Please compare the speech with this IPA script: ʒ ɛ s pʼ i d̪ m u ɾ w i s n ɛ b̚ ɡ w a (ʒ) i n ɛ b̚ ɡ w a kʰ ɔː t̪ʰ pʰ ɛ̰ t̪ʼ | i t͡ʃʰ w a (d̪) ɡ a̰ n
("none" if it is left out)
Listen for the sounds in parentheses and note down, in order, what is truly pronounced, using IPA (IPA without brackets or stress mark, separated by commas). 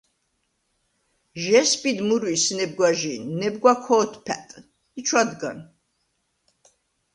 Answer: ʒ, d̪